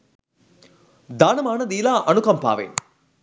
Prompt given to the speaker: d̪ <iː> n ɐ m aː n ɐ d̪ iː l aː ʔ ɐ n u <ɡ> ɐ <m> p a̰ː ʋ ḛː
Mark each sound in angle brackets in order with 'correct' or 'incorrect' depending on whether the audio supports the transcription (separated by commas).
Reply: incorrect, incorrect, correct